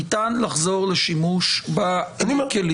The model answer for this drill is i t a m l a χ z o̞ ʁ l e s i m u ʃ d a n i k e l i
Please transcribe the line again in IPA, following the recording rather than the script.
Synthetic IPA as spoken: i t a n l a χ z o̞ ʁ l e ʃ i m u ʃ b a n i k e l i